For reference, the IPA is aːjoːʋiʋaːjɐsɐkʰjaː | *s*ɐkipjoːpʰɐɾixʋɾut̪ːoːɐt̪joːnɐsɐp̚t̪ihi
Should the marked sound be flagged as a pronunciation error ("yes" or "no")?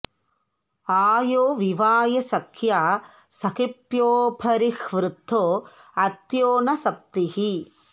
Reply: no